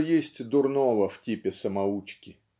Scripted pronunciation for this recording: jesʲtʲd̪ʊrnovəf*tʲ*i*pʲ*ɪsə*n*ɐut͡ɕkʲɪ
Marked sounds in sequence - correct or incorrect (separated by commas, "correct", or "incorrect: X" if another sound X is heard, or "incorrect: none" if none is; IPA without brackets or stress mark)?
correct, correct, incorrect: m